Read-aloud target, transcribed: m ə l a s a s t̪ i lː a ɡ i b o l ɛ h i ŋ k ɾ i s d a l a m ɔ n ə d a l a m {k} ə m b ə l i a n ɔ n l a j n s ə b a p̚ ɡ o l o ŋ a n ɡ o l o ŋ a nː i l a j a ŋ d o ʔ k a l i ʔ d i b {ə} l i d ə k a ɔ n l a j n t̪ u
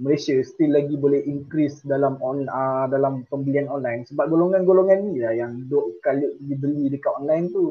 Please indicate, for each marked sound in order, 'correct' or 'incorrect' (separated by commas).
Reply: incorrect, correct